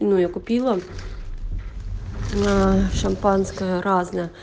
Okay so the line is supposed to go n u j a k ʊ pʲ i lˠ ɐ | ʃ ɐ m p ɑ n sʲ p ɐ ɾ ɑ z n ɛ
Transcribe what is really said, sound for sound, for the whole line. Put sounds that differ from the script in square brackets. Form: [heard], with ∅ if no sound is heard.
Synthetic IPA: n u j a k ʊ pʲ i lˠ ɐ | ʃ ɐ m p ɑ n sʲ [k] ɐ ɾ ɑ z n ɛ

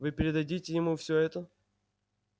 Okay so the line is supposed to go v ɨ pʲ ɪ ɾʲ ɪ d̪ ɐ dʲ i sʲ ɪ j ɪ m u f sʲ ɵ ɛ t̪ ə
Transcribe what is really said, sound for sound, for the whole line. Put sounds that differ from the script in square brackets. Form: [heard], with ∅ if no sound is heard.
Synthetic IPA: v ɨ pʲ ɪ ɾʲ ɪ d̪ ɐ dʲ i [tʲ] ɪ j ɪ m u f sʲ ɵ ɛ t̪ ə

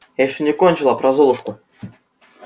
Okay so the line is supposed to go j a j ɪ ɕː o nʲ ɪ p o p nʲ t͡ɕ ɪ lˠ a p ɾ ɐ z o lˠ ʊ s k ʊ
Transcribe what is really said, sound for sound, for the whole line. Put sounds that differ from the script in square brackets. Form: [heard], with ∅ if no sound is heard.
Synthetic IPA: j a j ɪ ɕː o nʲ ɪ [k] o [∅] nʲ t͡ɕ ɪ lˠ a p ɾ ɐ z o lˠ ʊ [ʂ] k ʊ

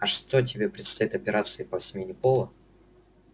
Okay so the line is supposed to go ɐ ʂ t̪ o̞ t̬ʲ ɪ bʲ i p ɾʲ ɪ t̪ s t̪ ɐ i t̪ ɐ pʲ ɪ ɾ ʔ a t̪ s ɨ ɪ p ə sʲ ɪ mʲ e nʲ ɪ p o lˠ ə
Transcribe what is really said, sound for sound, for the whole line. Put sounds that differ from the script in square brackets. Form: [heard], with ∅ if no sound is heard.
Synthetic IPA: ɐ ʂ t̪ o̞ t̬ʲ ɪ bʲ [e] p ɾʲ ɪ t̪ s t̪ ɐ i t̪ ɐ pʲ ɪ ɾ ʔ a t̪ s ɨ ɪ p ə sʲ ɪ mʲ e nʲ ɪ p o lˠ ə

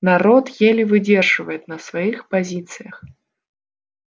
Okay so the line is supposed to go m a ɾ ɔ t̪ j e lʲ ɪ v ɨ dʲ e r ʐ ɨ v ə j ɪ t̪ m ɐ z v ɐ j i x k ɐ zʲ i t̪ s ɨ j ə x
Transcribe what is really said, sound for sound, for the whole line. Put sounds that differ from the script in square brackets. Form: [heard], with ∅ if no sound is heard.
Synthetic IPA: [n] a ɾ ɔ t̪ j e lʲ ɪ v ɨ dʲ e r ʐ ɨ v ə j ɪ t̪ [n] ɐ [s] v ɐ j i x [p] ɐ zʲ i t̪ s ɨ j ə x

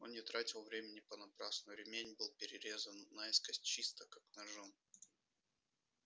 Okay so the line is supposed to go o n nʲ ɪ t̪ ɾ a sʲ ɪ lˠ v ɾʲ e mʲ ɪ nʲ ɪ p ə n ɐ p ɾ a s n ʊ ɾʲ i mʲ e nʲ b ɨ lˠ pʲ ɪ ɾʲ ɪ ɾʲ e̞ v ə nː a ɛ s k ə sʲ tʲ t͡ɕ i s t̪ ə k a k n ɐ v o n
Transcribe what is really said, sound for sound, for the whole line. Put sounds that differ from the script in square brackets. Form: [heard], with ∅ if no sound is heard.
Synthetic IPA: o n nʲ ɪ t̪ ɾ a [tʲ] ɪ lˠ v ɾʲ e mʲ ɪ nʲ ɪ p ə n ɐ p ɾ a s n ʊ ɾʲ [ɪ] mʲ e nʲ b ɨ lˠ pʲ ɪ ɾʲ ɪ ɾʲ e̞ [z] ə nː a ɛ s k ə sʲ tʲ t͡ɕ i s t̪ ə k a k n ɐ [ʐ] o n

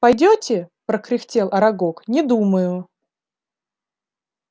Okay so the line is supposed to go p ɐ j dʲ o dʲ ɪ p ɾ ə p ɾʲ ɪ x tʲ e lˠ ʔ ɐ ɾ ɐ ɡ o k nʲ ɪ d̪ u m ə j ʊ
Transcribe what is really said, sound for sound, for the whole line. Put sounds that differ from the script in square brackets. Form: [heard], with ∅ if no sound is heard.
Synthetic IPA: p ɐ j dʲ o [tʲ] ɪ p ɾ ə [k] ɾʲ ɪ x tʲ e lˠ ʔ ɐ ɾ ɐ ɡ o k nʲ ɪ d̪ u m ə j ʊ

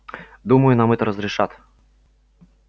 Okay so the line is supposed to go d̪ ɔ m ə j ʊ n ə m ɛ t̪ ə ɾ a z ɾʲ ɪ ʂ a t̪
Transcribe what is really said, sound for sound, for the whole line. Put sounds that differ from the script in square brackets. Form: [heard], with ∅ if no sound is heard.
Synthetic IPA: d̪ [u] m ə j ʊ n [a] m ɛ t̪ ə ɾ [ə] z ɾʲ ɪ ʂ a t̪

